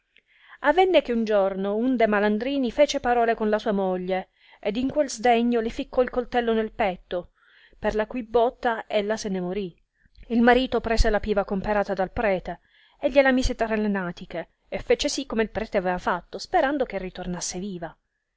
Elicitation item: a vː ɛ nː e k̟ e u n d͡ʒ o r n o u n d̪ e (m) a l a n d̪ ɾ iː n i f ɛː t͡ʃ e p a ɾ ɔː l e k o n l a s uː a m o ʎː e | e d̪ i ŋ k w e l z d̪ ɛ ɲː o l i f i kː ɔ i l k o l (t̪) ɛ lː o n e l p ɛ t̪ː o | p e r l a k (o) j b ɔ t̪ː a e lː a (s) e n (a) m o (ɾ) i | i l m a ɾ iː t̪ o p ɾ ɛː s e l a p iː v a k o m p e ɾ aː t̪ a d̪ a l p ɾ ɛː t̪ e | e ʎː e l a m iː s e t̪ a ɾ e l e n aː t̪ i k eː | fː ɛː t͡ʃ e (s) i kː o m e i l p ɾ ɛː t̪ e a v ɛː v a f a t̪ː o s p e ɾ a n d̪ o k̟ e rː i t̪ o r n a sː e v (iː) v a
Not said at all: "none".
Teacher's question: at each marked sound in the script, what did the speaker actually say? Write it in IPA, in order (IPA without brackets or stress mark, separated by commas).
m, t̪, u, s, e, ɾ, s, iː